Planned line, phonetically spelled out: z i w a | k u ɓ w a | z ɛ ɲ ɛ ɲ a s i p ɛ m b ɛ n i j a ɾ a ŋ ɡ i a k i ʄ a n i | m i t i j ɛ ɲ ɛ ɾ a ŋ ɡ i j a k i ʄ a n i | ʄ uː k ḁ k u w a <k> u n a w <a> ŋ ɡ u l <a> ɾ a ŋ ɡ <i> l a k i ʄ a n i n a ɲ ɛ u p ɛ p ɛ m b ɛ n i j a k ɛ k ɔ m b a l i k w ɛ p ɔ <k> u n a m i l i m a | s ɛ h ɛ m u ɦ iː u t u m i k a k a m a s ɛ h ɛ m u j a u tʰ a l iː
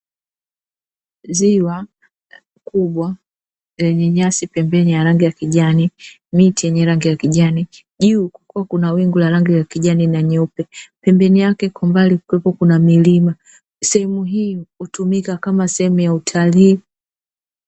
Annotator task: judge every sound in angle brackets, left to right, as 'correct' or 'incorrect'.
correct, incorrect, correct, correct, correct

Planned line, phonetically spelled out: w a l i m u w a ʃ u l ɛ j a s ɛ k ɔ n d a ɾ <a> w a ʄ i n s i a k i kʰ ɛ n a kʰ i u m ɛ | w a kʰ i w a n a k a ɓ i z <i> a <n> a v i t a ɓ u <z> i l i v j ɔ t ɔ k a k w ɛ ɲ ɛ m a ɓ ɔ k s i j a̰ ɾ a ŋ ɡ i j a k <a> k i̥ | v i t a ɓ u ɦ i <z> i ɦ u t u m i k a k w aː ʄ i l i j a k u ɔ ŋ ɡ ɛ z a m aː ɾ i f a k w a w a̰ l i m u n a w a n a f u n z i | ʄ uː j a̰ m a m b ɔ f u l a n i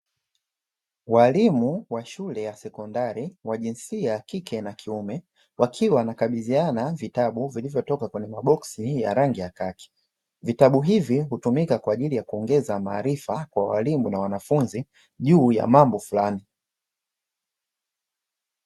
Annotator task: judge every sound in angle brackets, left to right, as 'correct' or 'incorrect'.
incorrect, correct, correct, incorrect, correct, incorrect

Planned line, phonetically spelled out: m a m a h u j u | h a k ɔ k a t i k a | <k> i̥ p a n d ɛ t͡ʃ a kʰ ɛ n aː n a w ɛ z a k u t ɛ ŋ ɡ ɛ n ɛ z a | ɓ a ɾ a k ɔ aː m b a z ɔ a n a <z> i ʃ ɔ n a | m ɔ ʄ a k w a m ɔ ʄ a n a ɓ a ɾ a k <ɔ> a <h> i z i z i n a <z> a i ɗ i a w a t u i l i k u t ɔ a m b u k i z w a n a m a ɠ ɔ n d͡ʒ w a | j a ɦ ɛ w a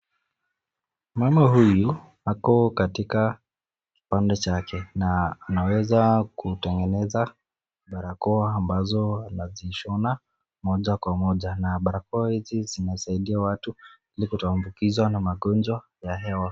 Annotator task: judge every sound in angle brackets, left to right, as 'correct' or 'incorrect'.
correct, correct, correct, correct, incorrect

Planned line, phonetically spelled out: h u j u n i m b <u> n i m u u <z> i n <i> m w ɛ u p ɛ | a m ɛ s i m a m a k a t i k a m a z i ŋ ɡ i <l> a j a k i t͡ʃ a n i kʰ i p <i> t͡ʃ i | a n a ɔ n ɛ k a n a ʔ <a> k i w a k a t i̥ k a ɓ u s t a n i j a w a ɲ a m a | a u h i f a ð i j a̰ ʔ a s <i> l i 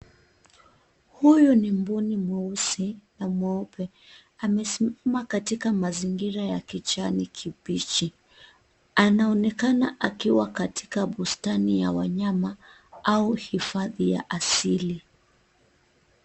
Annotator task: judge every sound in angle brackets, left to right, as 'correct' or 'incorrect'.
correct, incorrect, incorrect, incorrect, correct, correct, correct

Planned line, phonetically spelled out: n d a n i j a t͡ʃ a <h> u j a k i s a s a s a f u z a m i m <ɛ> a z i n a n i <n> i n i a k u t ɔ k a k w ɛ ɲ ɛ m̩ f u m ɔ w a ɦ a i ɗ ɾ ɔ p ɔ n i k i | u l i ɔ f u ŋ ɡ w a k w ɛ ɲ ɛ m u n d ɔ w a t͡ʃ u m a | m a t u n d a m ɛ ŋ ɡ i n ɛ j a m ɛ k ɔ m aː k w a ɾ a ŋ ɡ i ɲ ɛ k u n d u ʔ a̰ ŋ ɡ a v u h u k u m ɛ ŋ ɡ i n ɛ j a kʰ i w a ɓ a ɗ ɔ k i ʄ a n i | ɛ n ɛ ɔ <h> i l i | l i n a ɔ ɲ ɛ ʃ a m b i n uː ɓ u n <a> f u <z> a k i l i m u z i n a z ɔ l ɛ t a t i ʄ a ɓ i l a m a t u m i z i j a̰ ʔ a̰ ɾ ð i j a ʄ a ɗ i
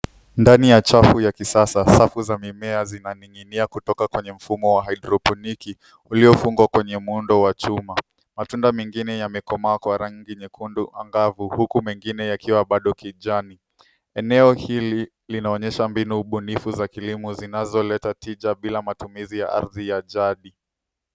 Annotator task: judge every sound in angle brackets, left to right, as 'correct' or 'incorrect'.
incorrect, correct, incorrect, correct, incorrect, correct

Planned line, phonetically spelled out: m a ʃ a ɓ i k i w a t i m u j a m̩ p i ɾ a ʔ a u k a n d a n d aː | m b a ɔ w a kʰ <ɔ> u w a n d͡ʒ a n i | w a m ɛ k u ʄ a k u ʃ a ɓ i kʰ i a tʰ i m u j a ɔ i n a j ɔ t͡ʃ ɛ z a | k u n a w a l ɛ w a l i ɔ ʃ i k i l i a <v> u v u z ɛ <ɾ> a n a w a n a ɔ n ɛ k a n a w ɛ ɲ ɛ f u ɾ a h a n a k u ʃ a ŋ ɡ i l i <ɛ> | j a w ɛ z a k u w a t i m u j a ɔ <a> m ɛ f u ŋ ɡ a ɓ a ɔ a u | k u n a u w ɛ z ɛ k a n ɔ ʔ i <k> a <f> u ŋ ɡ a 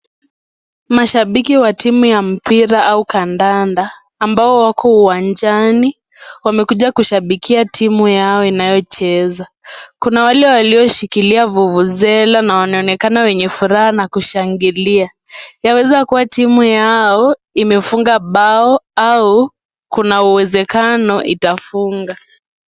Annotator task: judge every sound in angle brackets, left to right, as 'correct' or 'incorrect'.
correct, correct, incorrect, incorrect, incorrect, incorrect, correct

